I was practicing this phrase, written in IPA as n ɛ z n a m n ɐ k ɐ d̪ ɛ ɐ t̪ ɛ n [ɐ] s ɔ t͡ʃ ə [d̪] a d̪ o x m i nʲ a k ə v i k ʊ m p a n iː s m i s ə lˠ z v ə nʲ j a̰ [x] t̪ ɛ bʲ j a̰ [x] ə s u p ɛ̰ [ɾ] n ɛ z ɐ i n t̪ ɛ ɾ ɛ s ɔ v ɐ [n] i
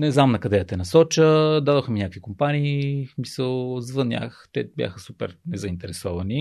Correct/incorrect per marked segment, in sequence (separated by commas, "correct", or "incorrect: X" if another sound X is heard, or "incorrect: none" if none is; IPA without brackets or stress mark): correct, correct, correct, correct, correct, correct